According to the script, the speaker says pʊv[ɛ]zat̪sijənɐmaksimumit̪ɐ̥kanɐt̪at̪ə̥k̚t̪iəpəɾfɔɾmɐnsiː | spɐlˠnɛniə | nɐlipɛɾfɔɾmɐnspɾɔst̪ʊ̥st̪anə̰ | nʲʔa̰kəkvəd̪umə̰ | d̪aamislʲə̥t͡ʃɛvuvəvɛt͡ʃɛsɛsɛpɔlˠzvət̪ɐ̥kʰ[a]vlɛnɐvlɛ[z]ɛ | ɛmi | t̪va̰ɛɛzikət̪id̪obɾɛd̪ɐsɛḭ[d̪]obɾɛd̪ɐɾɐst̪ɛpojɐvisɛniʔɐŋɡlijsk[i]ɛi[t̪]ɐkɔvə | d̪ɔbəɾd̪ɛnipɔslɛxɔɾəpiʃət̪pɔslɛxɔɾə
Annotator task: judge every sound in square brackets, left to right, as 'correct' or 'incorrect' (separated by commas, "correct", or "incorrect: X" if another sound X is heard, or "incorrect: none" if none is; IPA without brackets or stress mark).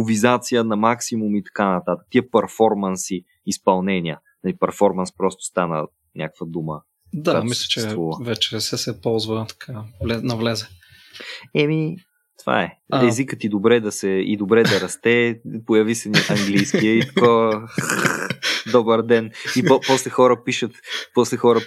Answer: incorrect: i, correct, correct, correct, correct, correct